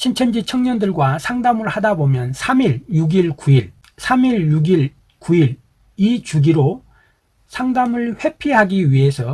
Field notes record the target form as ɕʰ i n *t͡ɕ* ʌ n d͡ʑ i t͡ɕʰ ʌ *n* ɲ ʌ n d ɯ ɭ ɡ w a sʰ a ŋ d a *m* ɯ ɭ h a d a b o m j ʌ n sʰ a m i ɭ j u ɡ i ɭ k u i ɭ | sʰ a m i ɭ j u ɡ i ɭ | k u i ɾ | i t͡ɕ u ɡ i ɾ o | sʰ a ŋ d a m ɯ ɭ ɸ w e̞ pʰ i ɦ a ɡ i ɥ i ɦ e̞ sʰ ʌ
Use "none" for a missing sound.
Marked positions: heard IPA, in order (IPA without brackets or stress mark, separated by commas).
t͡ɕʰ, ŋ, m